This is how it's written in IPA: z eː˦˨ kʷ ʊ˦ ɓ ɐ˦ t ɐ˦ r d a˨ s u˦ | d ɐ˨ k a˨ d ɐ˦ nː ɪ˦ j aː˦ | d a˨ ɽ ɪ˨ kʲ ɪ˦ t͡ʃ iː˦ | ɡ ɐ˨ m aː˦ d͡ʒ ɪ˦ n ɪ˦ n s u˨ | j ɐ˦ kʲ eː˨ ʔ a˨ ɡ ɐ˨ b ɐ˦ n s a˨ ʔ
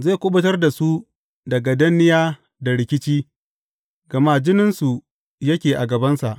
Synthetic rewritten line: z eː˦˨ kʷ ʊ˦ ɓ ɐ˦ t ɐ˦ r d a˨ s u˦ | d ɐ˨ ɡ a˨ d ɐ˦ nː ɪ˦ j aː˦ | d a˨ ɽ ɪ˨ kʲ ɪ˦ t͡ʃ iː˦ | ɡ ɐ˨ m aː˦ d͡ʒ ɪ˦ n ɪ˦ n s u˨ | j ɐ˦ kʲ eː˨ ʔ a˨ ɡ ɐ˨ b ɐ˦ n s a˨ ʔ